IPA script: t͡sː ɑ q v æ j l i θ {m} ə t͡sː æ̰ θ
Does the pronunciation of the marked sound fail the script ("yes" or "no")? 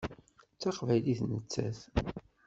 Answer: yes